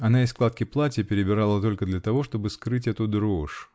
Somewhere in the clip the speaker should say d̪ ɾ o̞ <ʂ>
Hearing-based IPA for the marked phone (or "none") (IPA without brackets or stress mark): ʂ